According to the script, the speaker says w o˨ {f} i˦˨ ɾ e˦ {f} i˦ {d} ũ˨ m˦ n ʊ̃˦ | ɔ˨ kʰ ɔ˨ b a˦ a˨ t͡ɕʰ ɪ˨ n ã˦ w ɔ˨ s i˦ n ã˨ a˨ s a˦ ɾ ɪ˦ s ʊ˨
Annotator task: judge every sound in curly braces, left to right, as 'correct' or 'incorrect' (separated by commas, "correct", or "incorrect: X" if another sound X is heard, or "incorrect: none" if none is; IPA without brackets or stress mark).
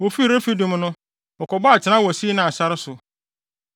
correct, correct, correct